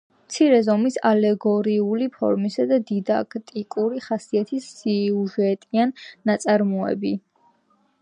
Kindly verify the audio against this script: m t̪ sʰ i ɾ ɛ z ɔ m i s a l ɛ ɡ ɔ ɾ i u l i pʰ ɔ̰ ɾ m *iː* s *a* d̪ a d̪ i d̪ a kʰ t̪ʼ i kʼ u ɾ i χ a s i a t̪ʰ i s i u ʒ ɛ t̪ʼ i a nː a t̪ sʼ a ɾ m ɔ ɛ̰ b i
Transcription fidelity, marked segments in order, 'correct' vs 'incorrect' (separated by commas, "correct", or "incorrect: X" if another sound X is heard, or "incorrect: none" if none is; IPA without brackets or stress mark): incorrect: i, correct